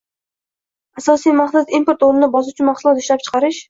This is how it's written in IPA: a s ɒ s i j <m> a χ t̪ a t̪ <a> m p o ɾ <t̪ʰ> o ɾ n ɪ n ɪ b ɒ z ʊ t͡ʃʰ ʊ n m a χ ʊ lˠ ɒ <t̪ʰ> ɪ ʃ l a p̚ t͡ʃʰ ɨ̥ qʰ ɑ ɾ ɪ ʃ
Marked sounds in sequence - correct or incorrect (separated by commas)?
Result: correct, incorrect, incorrect, incorrect